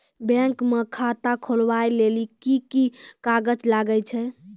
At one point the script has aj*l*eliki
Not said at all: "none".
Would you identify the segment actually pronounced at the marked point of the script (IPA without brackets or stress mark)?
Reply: l